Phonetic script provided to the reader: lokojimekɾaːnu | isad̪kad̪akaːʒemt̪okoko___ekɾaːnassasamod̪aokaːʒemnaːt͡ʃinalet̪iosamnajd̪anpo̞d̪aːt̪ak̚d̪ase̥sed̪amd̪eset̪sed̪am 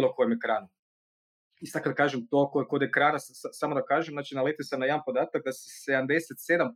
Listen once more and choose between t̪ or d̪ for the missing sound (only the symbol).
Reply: d̪